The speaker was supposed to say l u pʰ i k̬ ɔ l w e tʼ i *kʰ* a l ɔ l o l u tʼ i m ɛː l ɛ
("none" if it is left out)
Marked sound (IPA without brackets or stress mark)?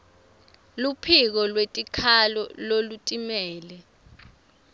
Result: kʰ